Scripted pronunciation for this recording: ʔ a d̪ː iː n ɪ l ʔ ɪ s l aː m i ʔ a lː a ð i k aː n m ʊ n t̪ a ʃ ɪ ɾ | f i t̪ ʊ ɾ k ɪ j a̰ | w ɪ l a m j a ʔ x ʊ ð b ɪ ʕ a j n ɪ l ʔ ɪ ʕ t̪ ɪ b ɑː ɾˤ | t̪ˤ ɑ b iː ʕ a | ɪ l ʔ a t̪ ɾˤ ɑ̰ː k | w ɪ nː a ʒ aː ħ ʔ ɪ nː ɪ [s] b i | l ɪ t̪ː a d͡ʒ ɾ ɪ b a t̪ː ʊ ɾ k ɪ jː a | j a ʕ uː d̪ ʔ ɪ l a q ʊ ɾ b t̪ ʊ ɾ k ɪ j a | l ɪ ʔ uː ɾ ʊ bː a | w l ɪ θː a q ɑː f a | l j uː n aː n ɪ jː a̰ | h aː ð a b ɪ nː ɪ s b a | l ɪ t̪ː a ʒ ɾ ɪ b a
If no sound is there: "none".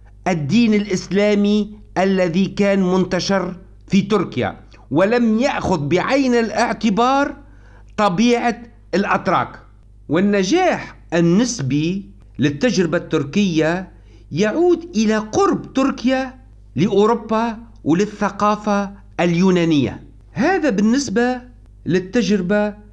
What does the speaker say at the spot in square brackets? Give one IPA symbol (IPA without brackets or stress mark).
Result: s